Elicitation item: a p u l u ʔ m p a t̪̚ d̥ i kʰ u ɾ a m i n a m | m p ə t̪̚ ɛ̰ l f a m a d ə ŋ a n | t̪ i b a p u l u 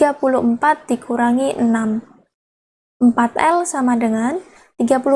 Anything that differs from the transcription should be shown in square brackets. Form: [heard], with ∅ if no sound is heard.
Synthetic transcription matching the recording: a p u l u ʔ m p a t̪̚ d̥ i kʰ u ɾ a [ŋ] i n a m | m p [a] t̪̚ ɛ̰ l [s] a m a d ə ŋ a n | t̪ i [ɡ] a p u l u